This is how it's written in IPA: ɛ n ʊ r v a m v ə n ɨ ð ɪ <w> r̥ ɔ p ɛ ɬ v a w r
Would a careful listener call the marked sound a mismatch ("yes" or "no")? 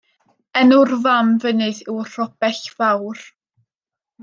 no